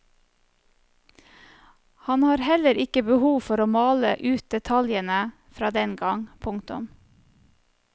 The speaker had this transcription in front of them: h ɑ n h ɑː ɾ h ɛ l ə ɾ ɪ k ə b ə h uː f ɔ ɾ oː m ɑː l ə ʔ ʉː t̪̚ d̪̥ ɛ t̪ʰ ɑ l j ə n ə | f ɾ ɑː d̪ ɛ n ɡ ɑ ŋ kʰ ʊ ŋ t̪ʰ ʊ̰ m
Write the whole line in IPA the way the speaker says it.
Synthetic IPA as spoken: h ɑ n h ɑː ɾ h ɛ l ə ɾ ɪ k ə b ə h uː f ɔ ɾ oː m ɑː l ə ʔ ʉː t̪̚ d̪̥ ɛ t̪ʰ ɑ l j ə n ə | f ɾ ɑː d̪ ɛ n ɡ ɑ ŋ pʰ ʊ ŋ t̪ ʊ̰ m